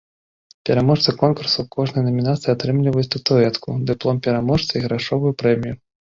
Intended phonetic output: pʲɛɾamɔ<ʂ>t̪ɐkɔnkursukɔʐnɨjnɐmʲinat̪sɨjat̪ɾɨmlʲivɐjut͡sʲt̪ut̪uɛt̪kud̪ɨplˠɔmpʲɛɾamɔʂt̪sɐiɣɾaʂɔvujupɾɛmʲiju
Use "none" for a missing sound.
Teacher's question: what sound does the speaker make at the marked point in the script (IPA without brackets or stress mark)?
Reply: ʂ